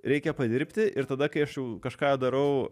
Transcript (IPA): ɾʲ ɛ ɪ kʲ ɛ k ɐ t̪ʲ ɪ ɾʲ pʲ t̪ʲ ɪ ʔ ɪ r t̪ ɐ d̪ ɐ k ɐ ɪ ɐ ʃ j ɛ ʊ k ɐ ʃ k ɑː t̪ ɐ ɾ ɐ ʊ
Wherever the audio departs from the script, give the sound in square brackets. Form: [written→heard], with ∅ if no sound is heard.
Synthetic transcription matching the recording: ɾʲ ɛ ɪ kʲ ɛ [k→p] ɐ [t̪ʲ→d̪ʲ] ɪ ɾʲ pʲ t̪ʲ ɪ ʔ ɪ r t̪ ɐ d̪ ɐ k ɐ ɪ ɐ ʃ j ɛ ʊ k ɐ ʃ k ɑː [t̪→d̪] ɐ ɾ ɐ ʊ

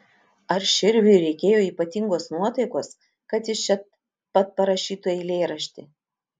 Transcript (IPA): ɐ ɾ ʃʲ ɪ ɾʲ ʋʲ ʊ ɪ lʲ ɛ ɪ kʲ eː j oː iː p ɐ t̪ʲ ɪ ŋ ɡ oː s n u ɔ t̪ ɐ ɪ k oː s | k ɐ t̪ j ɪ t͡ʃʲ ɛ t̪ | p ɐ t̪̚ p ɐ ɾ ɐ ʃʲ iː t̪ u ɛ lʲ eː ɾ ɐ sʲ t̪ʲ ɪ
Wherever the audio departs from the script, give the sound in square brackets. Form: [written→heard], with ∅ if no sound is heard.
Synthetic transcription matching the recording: ɐ ɾ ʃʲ ɪ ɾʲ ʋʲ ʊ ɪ [lʲ→ɾʲ] ɛ ɪ kʲ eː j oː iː p ɐ t̪ʲ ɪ ŋ ɡ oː s n u ɔ t̪ ɐ ɪ k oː s | k ɐ t̪ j ɪ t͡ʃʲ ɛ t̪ | p ɐ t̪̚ p ɐ ɾ ɐ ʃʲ iː t̪ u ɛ lʲ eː ɾ ɐ [sʲ→ʃʲ] t̪ʲ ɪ

